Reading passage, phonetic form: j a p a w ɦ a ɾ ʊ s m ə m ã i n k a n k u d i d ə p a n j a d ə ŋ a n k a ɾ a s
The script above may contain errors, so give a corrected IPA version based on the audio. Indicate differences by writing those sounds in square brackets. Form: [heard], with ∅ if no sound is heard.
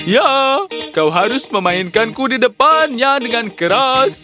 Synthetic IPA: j a [k] a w ɦ a ɾ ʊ s m ə m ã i n k a n k u d i d ə p a n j a d ə ŋ a n k [ə] ɾ a s